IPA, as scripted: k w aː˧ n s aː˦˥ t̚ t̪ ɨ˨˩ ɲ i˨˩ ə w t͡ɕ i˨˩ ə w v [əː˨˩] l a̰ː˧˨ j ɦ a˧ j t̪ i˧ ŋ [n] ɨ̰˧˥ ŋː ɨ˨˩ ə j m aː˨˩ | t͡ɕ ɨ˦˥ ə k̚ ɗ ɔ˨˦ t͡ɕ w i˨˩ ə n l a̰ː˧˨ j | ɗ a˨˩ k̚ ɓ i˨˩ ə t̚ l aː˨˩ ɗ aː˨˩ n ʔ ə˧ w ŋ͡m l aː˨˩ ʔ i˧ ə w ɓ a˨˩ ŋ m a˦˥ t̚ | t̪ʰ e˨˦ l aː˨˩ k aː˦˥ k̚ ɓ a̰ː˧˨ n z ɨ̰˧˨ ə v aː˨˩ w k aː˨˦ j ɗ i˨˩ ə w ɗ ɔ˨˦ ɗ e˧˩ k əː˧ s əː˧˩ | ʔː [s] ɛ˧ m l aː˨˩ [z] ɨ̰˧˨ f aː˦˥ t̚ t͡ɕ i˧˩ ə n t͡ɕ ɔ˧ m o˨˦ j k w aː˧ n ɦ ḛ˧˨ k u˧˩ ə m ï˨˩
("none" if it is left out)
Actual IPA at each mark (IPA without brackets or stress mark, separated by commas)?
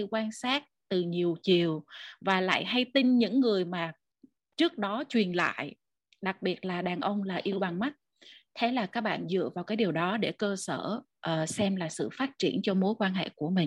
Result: aː˨˩, ɲ, s, s